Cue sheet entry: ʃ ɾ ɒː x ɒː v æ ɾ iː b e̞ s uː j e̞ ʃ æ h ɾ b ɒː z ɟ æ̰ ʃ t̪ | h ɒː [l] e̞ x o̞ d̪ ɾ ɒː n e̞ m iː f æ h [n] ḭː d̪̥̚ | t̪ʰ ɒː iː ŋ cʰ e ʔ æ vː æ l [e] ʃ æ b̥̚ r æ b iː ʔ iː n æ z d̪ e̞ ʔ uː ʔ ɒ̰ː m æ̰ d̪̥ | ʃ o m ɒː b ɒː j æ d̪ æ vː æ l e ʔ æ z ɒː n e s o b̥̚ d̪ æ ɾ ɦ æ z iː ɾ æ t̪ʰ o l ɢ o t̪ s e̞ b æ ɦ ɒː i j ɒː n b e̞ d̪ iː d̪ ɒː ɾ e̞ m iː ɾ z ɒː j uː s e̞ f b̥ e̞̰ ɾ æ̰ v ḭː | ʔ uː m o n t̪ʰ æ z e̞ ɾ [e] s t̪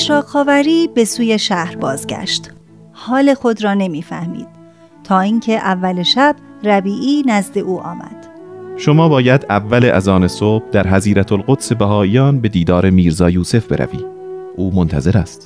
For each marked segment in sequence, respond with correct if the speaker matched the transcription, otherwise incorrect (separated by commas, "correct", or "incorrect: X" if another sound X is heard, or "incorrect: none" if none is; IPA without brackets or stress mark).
correct, incorrect: m, correct, incorrect: æ